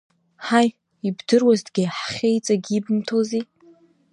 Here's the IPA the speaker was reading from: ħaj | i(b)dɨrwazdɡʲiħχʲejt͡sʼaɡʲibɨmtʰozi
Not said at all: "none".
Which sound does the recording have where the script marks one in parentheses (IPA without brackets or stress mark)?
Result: b